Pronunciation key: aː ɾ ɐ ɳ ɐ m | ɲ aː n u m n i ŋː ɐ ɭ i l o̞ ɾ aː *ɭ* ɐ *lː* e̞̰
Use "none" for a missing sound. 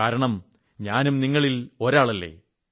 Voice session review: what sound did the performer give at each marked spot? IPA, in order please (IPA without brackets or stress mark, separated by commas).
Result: ɭ, lː